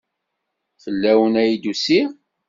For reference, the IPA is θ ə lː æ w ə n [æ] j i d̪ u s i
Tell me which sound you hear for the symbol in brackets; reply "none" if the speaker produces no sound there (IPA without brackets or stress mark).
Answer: æ